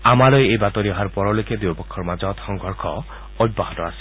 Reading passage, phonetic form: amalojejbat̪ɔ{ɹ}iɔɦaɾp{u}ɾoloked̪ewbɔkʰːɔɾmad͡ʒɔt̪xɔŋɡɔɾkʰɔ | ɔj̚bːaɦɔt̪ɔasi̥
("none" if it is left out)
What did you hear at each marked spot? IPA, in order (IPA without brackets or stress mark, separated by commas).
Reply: ɾ, ɔ